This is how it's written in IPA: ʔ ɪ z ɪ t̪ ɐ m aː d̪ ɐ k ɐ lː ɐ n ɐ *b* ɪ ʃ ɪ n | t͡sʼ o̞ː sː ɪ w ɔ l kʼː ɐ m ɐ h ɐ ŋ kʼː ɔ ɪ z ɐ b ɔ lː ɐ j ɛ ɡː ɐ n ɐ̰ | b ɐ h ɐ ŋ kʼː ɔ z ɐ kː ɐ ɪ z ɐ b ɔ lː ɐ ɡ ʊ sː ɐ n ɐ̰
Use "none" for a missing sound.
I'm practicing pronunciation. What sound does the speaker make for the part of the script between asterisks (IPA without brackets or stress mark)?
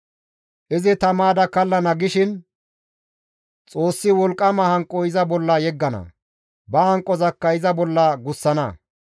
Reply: ɡ